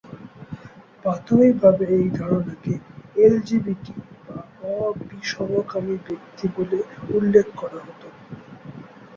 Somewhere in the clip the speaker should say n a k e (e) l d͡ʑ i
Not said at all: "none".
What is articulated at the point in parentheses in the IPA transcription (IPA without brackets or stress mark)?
e